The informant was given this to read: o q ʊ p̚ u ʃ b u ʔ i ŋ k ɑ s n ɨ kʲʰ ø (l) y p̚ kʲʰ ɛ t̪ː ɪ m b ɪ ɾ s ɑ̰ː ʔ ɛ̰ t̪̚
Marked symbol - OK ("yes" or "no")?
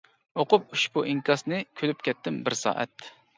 yes